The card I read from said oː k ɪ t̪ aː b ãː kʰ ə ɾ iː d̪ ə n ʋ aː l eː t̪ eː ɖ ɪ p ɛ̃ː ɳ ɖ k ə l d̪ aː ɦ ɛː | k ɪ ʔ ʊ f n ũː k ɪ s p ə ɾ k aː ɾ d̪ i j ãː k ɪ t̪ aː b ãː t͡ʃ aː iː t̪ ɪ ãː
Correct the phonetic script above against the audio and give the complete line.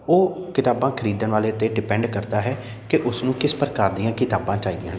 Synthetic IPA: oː k ɪ t̪ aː b ãː kʰ ə ɾ iː d̪ ə n ʋ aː l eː t̪ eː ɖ ɪ p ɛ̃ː ɳ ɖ k ə ɾ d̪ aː ɦ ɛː | k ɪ ʔ ʊ s n ũː k ɪ s p ə ɾ k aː ɾ d̪ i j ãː k ɪ t̪ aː b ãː t͡ʃ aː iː d̪ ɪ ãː